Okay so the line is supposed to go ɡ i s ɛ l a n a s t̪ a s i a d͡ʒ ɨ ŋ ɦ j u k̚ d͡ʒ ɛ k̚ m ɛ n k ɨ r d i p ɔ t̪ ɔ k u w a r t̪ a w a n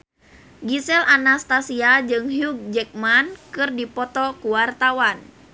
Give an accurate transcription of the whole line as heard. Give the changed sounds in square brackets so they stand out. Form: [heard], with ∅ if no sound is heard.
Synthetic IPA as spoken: ɡ i s ɛ l a n a s t̪ a s i a d͡ʒ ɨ ŋ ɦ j u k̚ d͡ʒ ɛ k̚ m [a] n k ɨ r d i p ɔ t̪ ɔ k u w a r t̪ a w a n